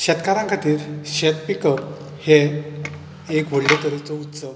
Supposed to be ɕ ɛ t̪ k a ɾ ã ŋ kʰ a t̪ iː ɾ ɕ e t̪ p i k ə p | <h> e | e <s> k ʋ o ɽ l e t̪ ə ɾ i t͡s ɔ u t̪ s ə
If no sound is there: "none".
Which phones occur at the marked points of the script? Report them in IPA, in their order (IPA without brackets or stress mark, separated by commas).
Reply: h, none